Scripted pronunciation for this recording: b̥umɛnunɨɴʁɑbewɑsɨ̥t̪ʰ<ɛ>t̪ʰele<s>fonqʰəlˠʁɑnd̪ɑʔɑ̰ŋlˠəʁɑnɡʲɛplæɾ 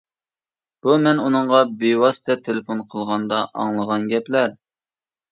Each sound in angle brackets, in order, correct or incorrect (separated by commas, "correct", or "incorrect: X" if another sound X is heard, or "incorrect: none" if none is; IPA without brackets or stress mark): correct, incorrect: none